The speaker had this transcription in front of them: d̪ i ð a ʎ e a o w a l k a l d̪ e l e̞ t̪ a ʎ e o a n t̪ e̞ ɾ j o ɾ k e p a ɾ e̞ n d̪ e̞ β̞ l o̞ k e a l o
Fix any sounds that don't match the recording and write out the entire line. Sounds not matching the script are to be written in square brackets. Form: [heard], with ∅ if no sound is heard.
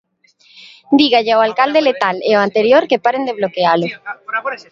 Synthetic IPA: d̪ i [ɣ] a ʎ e a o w a l k a l d̪ e l e̞ t̪ a [l] e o a n t̪ e̞ ɾ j o ɾ k e p a ɾ e̞ n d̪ e̞ β̞ l o̞ k e a l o

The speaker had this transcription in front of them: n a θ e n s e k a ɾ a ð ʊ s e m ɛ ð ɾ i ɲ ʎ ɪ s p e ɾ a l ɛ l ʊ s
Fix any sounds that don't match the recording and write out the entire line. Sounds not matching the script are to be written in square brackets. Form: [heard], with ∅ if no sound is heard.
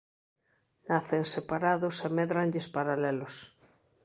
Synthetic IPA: n a θ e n s e [p] a ɾ a ð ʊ s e m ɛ ð ɾ [a] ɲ ʎ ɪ s p [a] ɾ a l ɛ l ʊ s

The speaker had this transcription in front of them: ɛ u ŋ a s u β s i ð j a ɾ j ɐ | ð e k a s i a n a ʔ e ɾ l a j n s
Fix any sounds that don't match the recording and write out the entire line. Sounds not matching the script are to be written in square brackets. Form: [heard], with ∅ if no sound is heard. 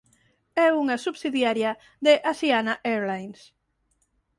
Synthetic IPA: ɛ u ŋ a s u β s i ð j a ɾ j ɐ | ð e [ʔ] a s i a n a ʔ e ɾ l a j n s

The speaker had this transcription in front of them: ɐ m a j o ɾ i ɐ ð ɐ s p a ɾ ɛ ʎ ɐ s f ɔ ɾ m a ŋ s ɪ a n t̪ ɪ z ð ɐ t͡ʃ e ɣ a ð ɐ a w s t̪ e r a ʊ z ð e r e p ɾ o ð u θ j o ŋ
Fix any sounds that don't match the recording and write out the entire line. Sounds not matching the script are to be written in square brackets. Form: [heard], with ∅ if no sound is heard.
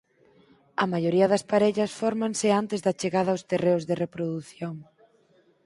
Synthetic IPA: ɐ m a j o ɾ i ɐ ð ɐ s p a ɾ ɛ ʎ ɐ s f ɔ ɾ m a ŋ s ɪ a n t̪ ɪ z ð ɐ t͡ʃ e ɣ a ð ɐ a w s t̪ e r [e] ʊ z ð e r e p ɾ o ð u θ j o ŋ

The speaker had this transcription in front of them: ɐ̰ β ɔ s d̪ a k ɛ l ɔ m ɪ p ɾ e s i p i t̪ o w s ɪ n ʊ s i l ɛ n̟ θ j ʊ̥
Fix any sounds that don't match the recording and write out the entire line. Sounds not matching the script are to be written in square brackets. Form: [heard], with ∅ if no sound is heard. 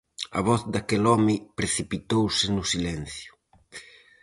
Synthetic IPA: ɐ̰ β ɔ [θ] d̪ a k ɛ l ɔ m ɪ p ɾ e [θ] i p i t̪ o w s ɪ n ʊ s i l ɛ n̟ θ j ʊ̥

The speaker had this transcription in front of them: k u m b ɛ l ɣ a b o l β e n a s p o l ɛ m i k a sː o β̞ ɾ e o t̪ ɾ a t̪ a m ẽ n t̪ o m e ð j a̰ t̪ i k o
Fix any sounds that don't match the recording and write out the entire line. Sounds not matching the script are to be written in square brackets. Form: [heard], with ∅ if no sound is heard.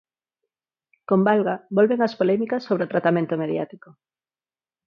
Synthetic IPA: k [o] m b [a] l ɣ a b o l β e [ŋ] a s p o l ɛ m i k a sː o β̞ ɾ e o t̪ ɾ a t̪ a m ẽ n t̪ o m e ð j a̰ t̪ i k o

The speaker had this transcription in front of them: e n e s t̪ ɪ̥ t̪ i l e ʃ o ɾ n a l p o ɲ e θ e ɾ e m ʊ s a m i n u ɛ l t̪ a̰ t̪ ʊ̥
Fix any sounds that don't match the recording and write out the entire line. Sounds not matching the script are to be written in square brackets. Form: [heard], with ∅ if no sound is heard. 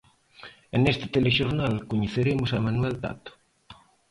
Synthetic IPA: e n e s t̪ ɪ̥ t̪ [e] l e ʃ o ɾ n a l [k] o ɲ e θ e ɾ e m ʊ s a m [a] n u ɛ l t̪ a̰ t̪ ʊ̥

